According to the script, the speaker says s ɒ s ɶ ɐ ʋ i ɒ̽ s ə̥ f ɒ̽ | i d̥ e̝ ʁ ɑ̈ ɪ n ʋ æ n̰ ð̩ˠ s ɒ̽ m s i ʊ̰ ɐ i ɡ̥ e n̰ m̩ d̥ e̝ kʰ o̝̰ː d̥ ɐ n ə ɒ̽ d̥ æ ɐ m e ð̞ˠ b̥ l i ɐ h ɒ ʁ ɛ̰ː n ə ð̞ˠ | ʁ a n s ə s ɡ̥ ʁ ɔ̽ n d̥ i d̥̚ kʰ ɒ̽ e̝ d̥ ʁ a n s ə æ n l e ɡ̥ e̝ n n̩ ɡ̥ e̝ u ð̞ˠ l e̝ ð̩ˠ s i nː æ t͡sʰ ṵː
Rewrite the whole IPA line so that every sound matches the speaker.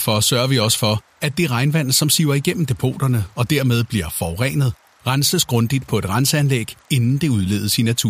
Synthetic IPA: f ɒ s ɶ ɐ ʋ i ɒ̽ s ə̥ f ɒ̽ | æ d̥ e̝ ʁ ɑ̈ ɪ n ʋ æ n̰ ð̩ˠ s ɒ̽ m s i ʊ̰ ɐ i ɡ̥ e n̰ m̩ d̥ e̝ pʰ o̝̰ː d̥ ɐ n ə ɒ̽ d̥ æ ɐ m e ð̞ˠ b̥ l i ɐ f ɒ ʁ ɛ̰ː n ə ð̞ˠ | ʁ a n s ə s ɡ̥ ʁ ɔ̽ n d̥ i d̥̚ pʰ ɒ̽ e̝ d̥ ʁ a n s ə æ n l e ɡ̥ e̝ n n̩ d̥ e̝ u ð̞ˠ l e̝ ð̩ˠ s i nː æ t͡sʰ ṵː